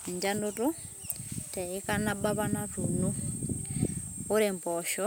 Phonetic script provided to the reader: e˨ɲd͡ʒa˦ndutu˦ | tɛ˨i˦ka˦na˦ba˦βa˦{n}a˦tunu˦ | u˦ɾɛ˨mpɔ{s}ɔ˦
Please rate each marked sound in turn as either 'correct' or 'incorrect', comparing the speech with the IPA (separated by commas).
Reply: correct, incorrect